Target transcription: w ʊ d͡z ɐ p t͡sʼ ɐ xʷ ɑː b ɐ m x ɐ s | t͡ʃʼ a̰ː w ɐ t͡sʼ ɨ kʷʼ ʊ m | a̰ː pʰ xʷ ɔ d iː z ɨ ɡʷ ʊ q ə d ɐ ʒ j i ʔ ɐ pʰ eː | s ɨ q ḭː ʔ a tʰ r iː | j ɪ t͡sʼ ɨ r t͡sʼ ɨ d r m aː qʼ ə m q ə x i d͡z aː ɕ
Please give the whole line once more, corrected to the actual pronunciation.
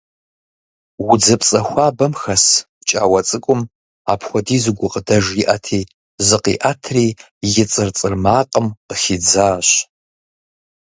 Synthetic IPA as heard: w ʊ d͡z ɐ p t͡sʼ ɐ xʷ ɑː b ɐ m x ɐ s | t͡ʃʼ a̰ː w ɐ t͡sʼ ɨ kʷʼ ʊ m | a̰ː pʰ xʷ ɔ d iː z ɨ ɡʷ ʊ q ə d ɐ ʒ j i ʔ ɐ tʰ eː | z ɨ q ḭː ʔ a tʰ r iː | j ɪ t͡sʼ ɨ r t͡sʼ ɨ r m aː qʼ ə m q ə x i d͡z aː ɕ